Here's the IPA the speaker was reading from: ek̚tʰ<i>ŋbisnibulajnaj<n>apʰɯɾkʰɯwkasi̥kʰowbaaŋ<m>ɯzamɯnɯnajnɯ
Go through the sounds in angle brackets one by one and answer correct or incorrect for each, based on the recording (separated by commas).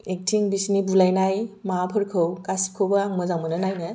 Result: correct, incorrect, correct